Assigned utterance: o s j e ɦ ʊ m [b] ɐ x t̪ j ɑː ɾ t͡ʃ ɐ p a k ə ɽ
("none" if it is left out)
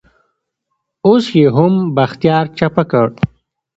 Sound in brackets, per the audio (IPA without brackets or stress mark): b